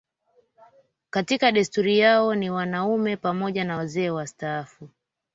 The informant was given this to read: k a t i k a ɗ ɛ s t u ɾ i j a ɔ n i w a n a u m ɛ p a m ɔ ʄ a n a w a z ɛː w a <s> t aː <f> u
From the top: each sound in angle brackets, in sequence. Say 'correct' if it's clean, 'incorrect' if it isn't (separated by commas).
correct, correct